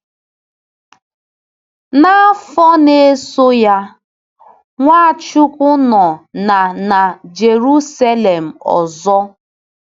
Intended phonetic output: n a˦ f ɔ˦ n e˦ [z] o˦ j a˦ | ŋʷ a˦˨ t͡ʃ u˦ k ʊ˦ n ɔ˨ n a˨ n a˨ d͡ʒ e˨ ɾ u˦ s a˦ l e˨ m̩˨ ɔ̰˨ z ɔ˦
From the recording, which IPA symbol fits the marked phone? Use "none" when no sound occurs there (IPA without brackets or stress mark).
s